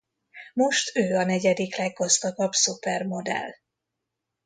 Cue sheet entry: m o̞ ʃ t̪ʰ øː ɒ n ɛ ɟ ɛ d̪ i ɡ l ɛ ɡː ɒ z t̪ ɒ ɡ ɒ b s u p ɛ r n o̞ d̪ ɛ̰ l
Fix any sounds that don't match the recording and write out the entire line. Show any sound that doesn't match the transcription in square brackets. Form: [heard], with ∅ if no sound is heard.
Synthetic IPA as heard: m o̞ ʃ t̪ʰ øː ɒ n ɛ ɟ ɛ d̪ i [k] l ɛ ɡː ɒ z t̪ ɒ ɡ ɒ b s u p ɛ r [m] o̞ d̪ ɛ̰ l

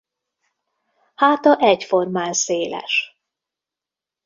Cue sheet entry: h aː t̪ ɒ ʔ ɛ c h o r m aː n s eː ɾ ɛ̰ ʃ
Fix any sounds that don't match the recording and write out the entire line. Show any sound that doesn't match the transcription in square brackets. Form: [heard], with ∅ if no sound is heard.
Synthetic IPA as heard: h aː t̪ ɒ ʔ ɛ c [f] o r m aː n s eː [l] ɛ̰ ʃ

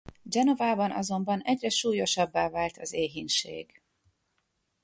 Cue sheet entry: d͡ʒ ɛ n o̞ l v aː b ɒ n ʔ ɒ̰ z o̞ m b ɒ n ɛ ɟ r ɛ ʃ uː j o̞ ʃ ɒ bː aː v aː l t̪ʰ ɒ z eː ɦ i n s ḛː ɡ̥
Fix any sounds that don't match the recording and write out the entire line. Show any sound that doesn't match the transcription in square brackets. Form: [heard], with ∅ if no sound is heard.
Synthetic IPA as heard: d͡ʒ ɛ n o̞ [∅] v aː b ɒ n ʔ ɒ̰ z o̞ m b ɒ n ɛ ɟ r ɛ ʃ uː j o̞ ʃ ɒ bː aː v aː l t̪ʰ ɒ z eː ɦ i n [ʃ] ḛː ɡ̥

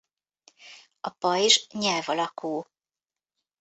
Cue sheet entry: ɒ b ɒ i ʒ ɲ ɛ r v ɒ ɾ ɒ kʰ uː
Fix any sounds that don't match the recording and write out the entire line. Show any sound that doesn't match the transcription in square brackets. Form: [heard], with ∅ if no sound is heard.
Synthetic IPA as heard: ɒ [p] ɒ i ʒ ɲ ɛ [l] v ɒ [l] ɒ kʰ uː

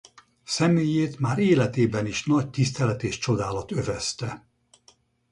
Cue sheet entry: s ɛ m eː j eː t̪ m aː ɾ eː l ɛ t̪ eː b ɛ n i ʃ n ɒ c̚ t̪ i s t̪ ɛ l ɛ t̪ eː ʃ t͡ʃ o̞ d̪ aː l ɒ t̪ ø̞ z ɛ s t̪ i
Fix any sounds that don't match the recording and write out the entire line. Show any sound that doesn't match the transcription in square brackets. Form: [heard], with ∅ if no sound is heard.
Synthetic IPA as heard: s ɛ m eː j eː t̪ m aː ɾ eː l ɛ t̪ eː b ɛ n i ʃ n ɒ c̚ t̪ i s t̪ ɛ l ɛ t̪ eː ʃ t͡ʃ o̞ d̪ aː l ɒ t̪ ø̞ [v] ɛ s t̪ [ɛ]

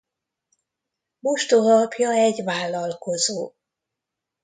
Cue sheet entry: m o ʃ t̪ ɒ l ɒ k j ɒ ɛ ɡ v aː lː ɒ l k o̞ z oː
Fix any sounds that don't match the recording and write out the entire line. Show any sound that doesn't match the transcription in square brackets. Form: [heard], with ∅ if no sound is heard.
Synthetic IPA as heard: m o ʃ t̪ [o] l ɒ [p] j ɒ ɛ [ɟ] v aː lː ɒ l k o̞ z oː

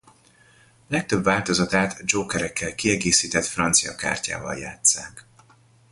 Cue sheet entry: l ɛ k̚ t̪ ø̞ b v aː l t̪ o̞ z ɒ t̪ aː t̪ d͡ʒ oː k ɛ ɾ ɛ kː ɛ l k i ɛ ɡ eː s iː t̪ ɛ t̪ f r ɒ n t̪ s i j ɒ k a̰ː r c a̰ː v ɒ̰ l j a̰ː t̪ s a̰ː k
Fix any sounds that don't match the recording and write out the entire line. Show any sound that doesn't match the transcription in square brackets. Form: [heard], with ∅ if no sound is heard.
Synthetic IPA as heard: l ɛ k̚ t̪ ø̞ b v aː l t̪ o̞ z ɒ t̪ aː t̪ d͡ʒ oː k ɛ ɾ ɛ kː ɛ l k i ɛ ɡ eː s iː t̪ ɛ t̪ f r ɒ n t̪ s i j ɒ k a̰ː r c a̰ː v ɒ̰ l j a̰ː t̪ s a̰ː k

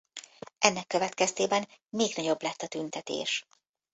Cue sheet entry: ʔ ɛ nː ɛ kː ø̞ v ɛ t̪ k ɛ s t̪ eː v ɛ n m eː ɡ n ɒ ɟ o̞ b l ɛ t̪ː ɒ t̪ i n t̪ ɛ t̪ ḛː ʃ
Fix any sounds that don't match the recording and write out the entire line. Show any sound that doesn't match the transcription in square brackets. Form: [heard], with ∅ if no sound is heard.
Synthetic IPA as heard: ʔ ɛ nː ɛ kː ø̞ v ɛ t̪ k ɛ s t̪ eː [b] ɛ n m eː ɡ n ɒ ɟ o̞ b l ɛ t̪ː ɒ t̪ [y] n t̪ ɛ t̪ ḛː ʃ

